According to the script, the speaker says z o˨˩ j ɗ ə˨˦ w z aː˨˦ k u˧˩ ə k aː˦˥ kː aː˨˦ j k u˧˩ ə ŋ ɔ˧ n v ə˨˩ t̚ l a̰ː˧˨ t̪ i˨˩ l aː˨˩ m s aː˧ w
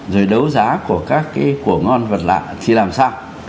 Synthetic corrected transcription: z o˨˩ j ɗ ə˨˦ w z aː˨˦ k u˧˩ ə k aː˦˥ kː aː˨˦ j k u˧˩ ə ŋ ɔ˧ n v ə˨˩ t̚ l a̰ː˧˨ t̪ʰ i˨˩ l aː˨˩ m s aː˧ w

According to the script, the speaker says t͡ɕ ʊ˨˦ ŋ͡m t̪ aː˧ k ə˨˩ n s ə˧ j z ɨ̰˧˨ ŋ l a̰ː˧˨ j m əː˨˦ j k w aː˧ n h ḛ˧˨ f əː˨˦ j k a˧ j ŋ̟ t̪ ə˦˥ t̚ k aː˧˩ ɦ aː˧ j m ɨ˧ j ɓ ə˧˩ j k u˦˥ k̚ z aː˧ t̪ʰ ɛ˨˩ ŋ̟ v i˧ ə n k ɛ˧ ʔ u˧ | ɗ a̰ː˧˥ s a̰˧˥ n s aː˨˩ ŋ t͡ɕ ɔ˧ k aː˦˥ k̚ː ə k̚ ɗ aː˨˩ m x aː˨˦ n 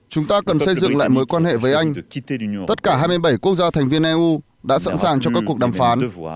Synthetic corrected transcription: t͡ɕ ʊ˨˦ ŋ͡m t̪ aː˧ k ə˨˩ n s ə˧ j z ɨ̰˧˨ ŋ l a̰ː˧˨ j m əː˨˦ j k w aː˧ n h ḛ˧˨ v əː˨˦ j ʔ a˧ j ŋ̟ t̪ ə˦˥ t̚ k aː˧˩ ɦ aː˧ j m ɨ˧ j ɓ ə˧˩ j k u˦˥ k̚ z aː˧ t̪ʰ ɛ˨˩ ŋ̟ v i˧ ə n ʔ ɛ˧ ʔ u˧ | ɗ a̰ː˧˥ s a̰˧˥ n s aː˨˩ ŋ t͡ɕ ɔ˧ k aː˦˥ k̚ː ə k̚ ɗ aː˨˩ m f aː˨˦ n

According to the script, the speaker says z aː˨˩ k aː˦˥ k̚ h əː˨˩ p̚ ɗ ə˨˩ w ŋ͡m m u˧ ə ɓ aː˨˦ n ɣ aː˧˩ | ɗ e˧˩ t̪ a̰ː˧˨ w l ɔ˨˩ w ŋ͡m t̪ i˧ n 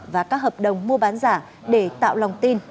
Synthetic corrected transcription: v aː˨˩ k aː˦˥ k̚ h əː˨˩ p̚ ɗ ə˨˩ w ŋ͡m m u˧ ə ɓ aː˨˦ n z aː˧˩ | ɗ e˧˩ t̪ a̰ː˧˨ w l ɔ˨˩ w ŋ͡m t̪ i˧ n

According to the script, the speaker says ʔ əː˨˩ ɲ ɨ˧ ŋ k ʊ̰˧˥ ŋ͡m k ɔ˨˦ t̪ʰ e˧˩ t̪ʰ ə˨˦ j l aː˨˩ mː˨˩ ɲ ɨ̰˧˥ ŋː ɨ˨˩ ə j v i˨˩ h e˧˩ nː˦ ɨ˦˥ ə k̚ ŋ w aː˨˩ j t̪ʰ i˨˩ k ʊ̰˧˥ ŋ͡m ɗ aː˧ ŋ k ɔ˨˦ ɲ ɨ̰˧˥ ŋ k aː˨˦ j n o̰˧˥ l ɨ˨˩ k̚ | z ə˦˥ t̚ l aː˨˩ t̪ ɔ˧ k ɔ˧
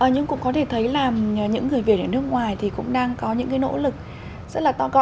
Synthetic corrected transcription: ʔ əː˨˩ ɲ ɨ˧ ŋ k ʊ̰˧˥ ŋ͡m k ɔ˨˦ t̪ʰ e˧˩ t̪ʰ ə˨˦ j l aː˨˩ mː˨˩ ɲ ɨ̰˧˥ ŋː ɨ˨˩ ə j v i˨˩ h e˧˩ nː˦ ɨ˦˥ ə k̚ ŋ w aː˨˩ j t̪ʰ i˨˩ k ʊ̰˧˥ ŋ͡m ɗ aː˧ ŋ k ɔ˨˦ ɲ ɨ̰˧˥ ŋ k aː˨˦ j n o̰˧˥ l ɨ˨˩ k̚ | z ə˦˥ t̚ l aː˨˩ t̪ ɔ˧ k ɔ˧

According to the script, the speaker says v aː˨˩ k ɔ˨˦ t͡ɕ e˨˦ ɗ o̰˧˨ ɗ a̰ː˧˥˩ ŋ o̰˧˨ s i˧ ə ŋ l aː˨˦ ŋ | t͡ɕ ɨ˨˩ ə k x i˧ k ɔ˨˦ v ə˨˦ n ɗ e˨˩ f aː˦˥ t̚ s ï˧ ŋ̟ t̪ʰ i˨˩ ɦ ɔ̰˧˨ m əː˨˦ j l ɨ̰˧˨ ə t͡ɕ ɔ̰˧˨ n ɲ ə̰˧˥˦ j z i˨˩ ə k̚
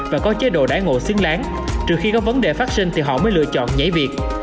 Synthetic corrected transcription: v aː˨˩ k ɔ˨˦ t͡ɕ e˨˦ ɗ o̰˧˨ ɗ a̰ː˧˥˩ ŋ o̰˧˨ s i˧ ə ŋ l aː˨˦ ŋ | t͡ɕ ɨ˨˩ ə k x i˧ k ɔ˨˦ v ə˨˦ n ɗ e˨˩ f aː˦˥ t̚ s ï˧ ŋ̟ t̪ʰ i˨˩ ɦ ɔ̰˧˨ m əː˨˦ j l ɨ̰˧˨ ə t͡ɕ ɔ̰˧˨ n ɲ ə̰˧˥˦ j v i˨˩ ə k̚

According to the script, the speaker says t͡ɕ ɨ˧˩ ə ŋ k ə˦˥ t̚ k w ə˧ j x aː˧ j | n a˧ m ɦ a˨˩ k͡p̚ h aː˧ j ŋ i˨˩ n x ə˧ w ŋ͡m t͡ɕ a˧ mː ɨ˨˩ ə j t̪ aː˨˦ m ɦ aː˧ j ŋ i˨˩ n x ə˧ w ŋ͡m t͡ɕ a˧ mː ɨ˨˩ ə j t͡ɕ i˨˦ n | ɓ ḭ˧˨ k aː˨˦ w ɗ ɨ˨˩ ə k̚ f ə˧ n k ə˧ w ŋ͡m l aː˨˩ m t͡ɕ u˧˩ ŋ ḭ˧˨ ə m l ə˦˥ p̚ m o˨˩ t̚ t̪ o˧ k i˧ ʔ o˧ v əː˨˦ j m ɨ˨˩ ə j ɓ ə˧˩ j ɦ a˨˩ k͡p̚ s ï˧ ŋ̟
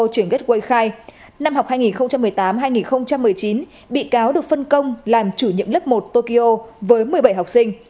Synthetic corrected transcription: t͡ɕ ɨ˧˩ ə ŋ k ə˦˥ t̚ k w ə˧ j x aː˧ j | n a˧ m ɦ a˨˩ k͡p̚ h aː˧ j ŋ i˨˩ n x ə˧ w ŋ͡m t͡ɕ a˧ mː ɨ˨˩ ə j t̪ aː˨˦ m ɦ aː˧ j ŋ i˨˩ n x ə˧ w ŋ͡m t͡ɕ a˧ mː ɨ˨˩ ə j t͡ɕ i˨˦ n | ɓ ḭ˧˨ k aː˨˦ w ɗ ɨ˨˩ ə k̚ f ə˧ n k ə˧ w ŋ͡m l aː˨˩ m t͡ɕ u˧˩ ɲ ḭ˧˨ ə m l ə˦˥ p̚ m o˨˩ t̚ t̪ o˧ k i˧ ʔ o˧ v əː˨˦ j m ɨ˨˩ ə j ɓ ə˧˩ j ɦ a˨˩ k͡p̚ s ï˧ ŋ̟

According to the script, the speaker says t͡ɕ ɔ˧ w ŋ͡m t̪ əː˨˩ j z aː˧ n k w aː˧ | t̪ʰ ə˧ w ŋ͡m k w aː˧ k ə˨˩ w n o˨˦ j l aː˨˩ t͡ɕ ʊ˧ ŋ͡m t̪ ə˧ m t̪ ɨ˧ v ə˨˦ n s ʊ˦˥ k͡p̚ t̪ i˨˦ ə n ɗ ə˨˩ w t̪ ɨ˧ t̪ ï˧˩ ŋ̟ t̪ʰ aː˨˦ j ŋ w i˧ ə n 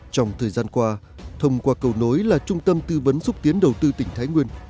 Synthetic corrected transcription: t͡ɕ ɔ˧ w ŋ͡m t̪ʰ əː˨˩ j z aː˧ n k w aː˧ | t̪ʰ ə˧ w ŋ͡m k w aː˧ k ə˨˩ w n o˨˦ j l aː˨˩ t͡ɕ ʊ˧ ŋ͡m t̪ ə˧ m t̪ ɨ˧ v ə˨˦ n s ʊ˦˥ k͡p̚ t̪ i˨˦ ə n ɗ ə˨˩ w t̪ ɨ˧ t̪ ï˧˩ ŋ̟ t̪ʰ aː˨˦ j ŋ w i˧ ə n

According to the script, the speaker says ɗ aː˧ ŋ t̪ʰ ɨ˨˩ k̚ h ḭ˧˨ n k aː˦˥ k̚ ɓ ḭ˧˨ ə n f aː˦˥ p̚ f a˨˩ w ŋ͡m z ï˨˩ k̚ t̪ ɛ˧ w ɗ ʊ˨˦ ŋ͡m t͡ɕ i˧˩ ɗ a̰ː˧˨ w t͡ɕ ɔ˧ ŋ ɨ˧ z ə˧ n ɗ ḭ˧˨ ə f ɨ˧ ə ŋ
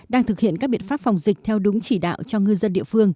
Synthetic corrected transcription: ɗ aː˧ ŋ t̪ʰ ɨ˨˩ k̚ h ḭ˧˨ n k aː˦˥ k̚ ɓ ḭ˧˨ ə n f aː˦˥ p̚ f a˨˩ w ŋ͡m z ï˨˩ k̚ t̪ʰ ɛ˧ w ɗ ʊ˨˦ ŋ͡m t͡ɕ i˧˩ ɗ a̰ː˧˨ w t͡ɕ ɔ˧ ŋ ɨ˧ z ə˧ n ɗ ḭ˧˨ ə f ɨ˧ ə ŋ

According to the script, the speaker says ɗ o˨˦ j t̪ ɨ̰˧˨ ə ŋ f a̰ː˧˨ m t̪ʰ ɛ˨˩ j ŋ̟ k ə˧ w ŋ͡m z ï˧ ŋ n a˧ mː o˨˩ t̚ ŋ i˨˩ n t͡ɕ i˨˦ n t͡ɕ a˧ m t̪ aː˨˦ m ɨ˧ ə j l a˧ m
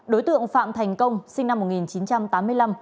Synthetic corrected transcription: ɗ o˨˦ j t̪ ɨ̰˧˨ ə ŋ f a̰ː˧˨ m t̪ʰ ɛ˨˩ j ŋ̟ k ə˧ w ŋ͡m s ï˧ ŋ n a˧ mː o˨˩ t̚ ŋ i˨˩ n t͡ɕ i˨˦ n t͡ɕ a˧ m t̪ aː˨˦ m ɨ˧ ə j l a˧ m

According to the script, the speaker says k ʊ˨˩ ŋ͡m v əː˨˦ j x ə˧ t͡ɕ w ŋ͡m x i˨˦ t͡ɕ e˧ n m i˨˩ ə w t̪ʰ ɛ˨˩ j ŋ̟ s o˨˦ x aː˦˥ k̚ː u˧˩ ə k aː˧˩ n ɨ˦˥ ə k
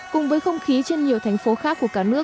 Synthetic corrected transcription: k ʊ˨˩ ŋ͡m v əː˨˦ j x ə˧ w ŋ͡m x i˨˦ t͡ɕ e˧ n ɲ i˨˩ ə w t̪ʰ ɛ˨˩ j ŋ̟ f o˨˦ x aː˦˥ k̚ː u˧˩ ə k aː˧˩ n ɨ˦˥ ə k

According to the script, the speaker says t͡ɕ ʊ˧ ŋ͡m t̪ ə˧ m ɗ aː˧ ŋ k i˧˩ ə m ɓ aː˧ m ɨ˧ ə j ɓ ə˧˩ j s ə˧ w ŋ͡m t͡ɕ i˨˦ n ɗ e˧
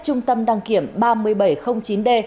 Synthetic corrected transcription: t͡ɕ ʊ˧ ŋ͡m t̪ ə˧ m ɗ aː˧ ŋ k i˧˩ ə m ɓ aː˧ m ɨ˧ ə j ɓ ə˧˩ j x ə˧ w ŋ͡m t͡ɕ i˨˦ n ɗ e˧

